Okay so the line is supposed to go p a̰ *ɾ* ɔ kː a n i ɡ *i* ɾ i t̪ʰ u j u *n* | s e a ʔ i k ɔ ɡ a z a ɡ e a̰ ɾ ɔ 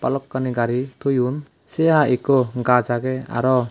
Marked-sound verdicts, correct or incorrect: incorrect: l, incorrect: a, correct

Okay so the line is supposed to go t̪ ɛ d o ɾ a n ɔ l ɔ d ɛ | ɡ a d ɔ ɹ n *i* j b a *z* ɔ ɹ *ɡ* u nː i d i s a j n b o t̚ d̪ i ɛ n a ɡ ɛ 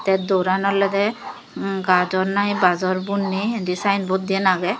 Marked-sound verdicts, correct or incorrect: incorrect: a, correct, incorrect: b

